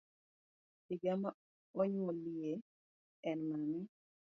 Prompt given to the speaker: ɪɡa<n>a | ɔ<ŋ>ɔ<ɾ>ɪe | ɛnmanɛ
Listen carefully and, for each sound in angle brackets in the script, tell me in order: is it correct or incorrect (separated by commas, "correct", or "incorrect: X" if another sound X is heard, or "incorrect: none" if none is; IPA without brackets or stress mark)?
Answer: incorrect: m, incorrect: ɲ, incorrect: l